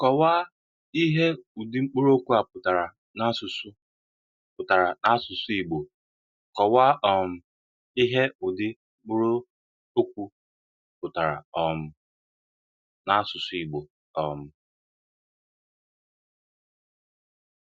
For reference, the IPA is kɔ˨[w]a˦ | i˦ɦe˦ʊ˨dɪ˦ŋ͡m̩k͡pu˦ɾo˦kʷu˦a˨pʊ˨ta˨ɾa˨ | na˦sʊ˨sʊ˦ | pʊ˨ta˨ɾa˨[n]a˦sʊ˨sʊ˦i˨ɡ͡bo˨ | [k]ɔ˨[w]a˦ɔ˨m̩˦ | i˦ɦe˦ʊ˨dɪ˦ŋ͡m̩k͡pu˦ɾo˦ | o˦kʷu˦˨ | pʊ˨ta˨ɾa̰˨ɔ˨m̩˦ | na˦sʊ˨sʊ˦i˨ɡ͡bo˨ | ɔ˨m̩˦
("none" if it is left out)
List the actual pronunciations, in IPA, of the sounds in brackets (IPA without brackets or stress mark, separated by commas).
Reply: w, n, k, w